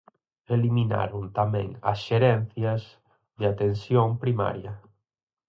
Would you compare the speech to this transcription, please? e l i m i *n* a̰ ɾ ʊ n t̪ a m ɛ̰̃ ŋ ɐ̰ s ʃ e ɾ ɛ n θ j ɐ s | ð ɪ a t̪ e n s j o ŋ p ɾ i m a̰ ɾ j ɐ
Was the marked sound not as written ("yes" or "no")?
no